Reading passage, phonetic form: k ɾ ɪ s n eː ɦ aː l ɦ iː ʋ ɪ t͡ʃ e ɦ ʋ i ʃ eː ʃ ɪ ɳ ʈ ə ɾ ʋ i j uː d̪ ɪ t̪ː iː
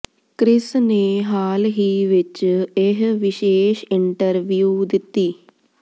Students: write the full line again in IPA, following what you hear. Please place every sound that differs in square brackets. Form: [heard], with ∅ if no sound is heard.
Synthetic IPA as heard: k ɾ ɪ s n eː ɦ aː l ɦ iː ʋ ɪ t͡ʃ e ɦ ʋ [ɪ] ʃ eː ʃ ɪ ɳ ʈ ə ɾ ʋ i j uː d̪ ɪ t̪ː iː